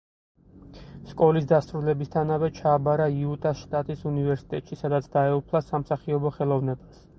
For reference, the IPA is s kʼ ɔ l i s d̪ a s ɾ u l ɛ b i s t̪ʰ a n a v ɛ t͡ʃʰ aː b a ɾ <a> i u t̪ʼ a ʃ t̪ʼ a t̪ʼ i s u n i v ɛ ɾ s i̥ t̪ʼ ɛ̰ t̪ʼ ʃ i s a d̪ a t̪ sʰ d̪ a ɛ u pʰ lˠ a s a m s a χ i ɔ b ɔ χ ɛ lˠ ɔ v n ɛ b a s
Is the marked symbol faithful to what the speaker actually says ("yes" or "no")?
yes